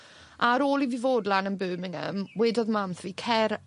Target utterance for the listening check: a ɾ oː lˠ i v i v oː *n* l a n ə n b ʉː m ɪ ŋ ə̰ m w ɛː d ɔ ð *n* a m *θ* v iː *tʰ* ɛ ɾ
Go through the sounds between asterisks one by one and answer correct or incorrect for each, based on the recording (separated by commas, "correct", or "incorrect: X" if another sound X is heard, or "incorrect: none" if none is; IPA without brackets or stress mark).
incorrect: d, incorrect: m, correct, incorrect: kʰ